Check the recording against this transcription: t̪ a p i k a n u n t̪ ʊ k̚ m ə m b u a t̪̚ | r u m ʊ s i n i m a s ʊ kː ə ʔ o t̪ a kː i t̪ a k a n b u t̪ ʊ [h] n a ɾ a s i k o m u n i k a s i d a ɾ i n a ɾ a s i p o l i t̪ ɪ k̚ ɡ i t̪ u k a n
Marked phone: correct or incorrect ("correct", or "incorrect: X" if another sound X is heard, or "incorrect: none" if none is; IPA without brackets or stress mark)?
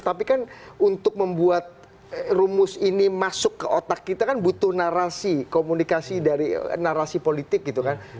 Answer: correct